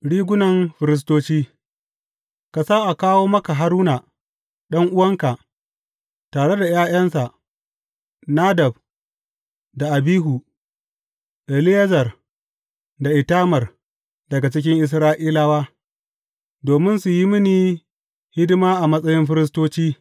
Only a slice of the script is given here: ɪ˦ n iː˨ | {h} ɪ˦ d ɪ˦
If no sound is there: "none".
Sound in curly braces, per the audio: h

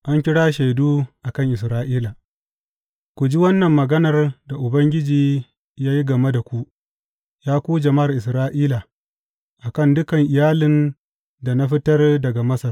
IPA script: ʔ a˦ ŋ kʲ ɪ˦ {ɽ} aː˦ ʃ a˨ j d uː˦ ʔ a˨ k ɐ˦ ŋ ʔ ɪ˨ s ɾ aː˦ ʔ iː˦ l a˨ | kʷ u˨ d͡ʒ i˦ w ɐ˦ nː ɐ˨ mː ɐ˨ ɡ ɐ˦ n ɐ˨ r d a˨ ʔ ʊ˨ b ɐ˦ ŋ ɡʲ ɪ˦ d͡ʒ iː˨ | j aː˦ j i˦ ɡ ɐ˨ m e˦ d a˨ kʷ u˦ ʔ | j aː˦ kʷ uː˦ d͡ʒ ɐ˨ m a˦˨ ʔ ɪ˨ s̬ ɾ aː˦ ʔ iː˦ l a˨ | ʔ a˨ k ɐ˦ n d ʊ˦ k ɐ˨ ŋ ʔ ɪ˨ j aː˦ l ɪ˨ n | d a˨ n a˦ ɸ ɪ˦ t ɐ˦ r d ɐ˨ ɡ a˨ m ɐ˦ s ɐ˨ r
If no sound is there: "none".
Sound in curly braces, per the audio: ɽ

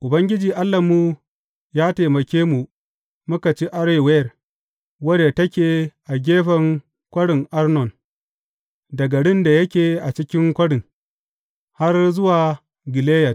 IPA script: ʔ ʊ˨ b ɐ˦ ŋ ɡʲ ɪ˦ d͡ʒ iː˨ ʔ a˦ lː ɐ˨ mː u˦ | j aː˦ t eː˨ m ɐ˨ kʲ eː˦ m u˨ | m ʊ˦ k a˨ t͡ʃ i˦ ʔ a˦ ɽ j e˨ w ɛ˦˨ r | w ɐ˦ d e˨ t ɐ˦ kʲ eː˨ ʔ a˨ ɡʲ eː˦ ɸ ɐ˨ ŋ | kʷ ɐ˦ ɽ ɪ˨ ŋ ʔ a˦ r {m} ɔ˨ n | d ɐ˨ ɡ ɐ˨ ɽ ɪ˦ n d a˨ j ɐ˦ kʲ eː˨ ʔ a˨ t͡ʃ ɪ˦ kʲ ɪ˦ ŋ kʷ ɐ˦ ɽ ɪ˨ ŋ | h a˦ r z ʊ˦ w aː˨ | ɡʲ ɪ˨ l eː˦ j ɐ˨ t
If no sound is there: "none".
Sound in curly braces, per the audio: n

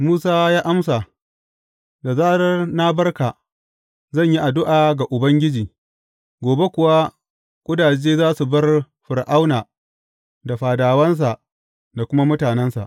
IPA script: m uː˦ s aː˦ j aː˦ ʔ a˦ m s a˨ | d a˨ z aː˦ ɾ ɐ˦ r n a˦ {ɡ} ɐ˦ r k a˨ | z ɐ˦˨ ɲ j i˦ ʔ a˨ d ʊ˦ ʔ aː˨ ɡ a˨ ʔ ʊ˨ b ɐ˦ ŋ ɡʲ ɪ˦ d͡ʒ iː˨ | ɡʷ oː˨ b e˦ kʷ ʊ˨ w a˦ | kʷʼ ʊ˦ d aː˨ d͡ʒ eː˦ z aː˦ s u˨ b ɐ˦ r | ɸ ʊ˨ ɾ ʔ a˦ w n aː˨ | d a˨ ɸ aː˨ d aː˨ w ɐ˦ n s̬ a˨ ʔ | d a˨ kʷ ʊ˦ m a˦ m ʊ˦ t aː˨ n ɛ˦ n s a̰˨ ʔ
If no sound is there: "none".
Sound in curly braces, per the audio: b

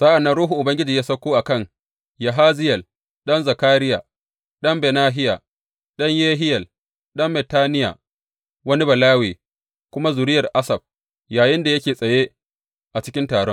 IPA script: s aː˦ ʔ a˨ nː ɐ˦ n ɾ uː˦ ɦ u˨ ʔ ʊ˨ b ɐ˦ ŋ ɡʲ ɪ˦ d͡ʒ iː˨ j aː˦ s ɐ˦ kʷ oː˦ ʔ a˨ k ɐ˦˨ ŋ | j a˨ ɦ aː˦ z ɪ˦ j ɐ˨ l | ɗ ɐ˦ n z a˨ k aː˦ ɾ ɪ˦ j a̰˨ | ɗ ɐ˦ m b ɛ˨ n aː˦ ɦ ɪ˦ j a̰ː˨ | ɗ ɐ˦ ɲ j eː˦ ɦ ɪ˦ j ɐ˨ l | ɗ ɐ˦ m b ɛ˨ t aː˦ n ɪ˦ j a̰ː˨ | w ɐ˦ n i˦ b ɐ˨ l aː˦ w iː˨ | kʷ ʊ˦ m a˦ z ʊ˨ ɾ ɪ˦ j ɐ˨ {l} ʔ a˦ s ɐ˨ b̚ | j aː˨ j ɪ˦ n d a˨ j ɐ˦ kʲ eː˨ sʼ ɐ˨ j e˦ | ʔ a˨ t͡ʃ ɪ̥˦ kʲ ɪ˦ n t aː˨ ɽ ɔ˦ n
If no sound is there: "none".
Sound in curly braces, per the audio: r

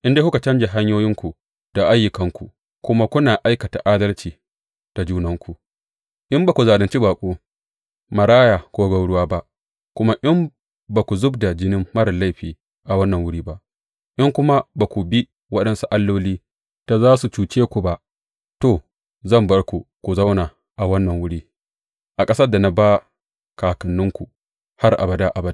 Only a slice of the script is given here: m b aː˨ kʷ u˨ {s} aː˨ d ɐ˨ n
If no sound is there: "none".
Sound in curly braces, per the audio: z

